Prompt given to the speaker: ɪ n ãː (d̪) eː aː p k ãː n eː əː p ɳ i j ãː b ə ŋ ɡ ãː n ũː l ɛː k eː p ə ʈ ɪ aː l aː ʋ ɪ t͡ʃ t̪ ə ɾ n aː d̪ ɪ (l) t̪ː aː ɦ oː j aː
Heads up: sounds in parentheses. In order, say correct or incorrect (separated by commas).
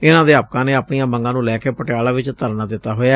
correct, incorrect